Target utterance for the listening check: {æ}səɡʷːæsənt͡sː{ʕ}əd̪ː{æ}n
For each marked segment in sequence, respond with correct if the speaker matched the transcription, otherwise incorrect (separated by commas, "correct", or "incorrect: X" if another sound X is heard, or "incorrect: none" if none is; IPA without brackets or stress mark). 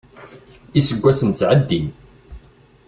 incorrect: i, correct, incorrect: i